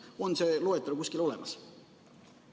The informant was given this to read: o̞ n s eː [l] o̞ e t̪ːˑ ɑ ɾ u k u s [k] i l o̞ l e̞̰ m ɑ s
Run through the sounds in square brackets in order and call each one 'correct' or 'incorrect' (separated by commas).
correct, correct